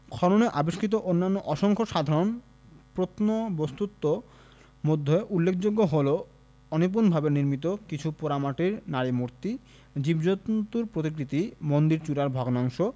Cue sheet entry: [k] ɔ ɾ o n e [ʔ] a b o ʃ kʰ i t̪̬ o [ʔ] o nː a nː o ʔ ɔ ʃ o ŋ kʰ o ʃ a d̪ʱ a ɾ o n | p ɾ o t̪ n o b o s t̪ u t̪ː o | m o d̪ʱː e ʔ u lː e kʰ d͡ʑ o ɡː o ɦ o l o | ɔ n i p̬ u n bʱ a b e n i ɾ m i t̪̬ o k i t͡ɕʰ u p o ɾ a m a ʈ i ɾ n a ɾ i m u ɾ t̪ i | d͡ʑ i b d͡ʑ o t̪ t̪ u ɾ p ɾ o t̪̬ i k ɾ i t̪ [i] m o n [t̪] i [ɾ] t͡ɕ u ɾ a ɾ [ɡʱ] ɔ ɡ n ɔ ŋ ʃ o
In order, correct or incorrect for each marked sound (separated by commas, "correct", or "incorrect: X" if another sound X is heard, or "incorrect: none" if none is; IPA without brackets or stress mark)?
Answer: incorrect: kʰ, correct, correct, correct, incorrect: d̪, correct, incorrect: bʱ